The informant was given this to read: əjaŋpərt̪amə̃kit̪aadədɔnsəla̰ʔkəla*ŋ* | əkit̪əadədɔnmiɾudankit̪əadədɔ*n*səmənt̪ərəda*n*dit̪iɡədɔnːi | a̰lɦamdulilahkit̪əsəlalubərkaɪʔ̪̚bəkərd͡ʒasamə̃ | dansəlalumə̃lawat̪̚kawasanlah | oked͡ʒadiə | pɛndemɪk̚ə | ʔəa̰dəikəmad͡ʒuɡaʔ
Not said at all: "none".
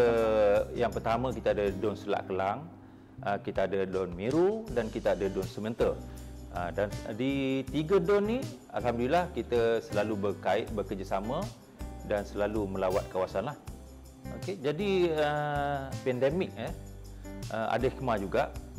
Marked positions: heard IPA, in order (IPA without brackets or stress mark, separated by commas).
ŋ, n, n